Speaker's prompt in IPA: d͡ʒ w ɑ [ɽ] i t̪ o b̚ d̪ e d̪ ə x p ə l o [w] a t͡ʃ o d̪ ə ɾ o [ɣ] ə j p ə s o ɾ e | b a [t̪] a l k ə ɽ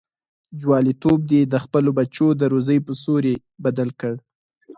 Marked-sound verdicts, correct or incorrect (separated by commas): incorrect, incorrect, incorrect, incorrect